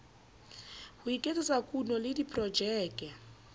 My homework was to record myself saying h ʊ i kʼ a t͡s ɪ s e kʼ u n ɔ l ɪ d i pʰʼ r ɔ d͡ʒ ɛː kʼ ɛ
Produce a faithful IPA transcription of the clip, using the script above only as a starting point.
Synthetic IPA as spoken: h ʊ i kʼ e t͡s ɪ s a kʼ u n ɔ l ɪ d i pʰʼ r ɔ d͡ʒ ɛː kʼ ɛ